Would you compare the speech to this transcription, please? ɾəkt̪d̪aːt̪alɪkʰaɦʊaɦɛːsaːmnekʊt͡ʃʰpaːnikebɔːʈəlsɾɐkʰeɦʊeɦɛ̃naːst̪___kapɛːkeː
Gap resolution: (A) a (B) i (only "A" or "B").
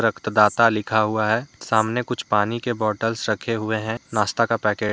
A